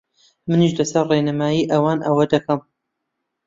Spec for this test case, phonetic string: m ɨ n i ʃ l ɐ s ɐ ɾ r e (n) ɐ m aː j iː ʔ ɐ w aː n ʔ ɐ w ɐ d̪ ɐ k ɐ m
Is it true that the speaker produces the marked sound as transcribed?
yes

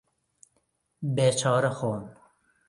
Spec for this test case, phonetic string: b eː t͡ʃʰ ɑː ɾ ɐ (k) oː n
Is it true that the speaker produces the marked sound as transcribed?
no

